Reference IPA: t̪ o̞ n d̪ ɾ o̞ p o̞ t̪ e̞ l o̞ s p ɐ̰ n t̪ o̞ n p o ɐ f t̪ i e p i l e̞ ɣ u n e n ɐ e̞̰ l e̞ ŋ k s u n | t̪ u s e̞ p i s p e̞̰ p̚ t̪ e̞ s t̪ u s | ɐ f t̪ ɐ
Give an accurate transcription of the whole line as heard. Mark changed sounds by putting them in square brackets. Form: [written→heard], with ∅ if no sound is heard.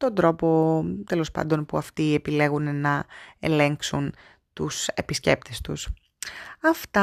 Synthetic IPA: t̪ o̞ n d̪ ɾ o̞ p o̞ t̪ e̞ l o̞ s p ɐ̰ n [t̪→d̪] o̞ n p [o→u] ɐ f t̪ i e p i l e̞ ɣ u n e n ɐ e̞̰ l e̞ ŋ k s u n | t̪ u s e̞ p i s [p→c] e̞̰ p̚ t̪ e̞ s t̪ u s | ɐ f t̪ ɐ